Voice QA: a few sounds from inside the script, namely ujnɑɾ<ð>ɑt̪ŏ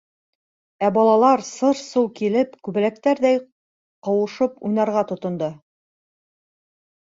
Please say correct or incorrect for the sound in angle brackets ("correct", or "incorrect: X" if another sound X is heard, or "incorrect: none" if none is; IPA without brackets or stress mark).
incorrect: ʁ